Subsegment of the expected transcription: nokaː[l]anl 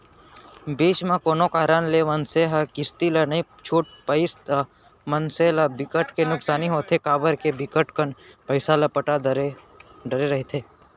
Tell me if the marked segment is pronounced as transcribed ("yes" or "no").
no